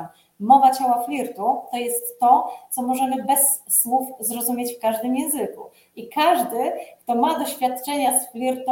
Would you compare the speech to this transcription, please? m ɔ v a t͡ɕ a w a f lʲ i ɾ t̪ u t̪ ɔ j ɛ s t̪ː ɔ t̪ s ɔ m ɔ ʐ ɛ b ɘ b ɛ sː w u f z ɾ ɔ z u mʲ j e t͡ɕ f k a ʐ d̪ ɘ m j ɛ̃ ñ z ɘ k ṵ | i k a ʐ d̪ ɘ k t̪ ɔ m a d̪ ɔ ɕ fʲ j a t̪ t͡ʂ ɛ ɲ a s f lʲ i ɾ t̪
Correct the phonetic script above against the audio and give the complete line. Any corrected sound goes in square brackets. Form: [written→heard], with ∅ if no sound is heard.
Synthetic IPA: m ɔ v a t͡ɕ a w a f lʲ i ɾ t̪ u t̪ ɔ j ɛ s t̪ː ɔ t̪ s ɔ m ɔ ʐ ɛ [b→m] ɘ b ɛ sː w u f z ɾ ɔ z u mʲ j e t͡ɕ f k a ʐ d̪ ɘ m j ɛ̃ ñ z ɘ k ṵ | i k a ʐ d̪ ɘ k t̪ ɔ m a d̪ ɔ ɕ fʲ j a t̪ t͡ʂ ɛ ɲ a s f lʲ i ɾ t̪